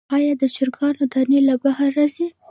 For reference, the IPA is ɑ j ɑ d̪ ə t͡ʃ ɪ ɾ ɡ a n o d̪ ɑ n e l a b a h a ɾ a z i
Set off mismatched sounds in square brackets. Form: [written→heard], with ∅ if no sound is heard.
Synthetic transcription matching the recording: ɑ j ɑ d̪ ə t͡ʃ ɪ ɾ ɡ [a→ɑ] n o d̪ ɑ n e l a b a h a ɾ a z i